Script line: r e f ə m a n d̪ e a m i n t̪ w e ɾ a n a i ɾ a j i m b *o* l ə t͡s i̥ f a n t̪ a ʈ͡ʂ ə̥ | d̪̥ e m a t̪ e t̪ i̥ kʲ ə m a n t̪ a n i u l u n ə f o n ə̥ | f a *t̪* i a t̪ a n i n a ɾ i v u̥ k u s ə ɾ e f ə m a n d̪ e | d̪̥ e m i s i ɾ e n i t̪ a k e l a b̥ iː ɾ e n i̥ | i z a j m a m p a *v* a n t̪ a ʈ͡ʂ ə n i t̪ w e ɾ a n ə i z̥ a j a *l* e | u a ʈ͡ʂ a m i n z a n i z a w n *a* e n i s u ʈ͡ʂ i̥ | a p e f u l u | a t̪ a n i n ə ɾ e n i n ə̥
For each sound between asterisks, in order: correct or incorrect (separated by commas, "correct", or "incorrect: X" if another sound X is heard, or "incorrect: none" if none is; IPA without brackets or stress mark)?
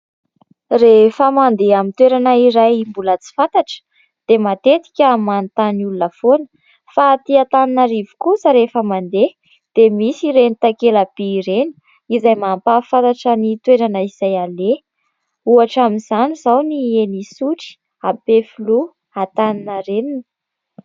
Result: incorrect: u, correct, incorrect: f, correct, incorrect: i